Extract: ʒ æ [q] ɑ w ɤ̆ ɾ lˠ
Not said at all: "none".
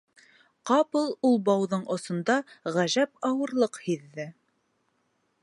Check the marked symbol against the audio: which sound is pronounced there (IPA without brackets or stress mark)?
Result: p